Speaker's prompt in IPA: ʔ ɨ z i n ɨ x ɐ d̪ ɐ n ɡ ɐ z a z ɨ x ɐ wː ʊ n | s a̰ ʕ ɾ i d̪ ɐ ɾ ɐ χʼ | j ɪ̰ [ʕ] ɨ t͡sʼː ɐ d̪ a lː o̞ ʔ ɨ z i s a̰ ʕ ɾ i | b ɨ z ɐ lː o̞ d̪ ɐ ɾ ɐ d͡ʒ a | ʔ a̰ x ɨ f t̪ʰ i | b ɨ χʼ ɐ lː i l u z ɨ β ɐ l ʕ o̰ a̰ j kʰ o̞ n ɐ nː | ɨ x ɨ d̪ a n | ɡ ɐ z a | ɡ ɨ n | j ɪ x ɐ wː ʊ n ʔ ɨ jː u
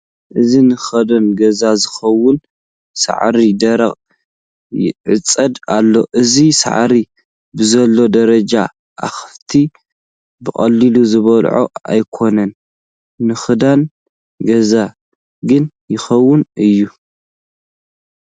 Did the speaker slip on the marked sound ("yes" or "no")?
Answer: no